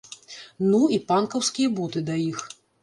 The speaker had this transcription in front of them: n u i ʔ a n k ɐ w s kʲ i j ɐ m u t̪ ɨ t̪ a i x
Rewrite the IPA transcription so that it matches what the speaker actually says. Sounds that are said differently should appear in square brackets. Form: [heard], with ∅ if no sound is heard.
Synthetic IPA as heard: n u i [p] a n k ɐ w s kʲ i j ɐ [b] u t̪ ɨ [d̪] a i x